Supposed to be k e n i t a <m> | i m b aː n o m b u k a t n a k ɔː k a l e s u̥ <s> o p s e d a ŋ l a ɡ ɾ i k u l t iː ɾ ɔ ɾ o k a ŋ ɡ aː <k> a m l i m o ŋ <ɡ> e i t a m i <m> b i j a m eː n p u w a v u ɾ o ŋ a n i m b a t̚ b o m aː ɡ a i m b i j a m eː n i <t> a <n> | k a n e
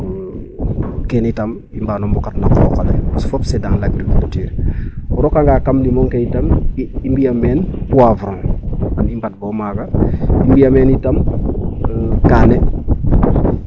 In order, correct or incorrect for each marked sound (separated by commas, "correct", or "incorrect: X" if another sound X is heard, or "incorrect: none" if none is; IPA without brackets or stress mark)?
correct, incorrect: f, correct, incorrect: k, correct, correct, incorrect: m